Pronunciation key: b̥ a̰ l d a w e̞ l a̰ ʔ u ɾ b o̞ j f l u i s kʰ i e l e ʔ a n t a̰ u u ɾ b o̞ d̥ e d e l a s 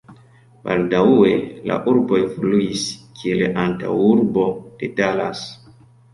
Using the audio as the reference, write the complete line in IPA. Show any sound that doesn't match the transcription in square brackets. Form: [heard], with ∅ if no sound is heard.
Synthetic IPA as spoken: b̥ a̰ l d a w e̞ l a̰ ʔ u ɾ b o̞ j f l u i s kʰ i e l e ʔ a n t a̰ [w] u ɾ b o̞ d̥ e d [a] l a s